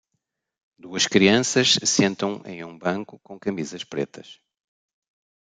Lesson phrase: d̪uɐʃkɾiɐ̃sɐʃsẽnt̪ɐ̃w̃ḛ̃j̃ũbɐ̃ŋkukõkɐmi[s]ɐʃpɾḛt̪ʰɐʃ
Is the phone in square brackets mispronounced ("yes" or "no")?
yes